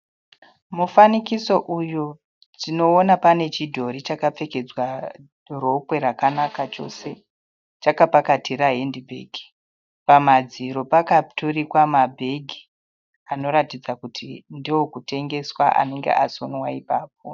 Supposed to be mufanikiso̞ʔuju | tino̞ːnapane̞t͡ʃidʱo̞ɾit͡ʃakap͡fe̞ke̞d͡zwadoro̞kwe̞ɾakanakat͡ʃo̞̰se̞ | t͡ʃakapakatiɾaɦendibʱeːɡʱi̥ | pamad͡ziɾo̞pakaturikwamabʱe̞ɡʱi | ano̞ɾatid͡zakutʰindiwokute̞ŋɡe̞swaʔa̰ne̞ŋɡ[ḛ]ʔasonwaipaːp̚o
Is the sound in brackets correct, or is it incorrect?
correct